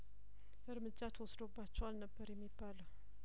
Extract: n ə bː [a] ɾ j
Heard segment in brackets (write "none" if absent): ə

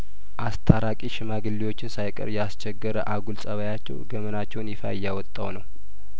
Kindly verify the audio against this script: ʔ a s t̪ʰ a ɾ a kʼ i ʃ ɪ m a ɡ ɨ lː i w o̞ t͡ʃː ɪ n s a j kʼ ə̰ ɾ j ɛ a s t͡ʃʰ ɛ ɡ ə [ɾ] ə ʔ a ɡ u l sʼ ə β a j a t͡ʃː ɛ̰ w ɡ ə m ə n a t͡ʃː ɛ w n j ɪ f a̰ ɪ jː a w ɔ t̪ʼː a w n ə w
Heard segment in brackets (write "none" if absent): ɾ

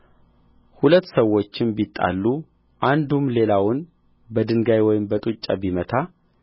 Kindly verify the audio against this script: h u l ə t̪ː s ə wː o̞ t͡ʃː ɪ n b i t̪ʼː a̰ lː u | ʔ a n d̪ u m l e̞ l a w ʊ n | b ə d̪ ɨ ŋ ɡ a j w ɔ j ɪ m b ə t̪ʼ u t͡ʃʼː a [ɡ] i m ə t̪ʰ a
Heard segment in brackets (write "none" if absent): b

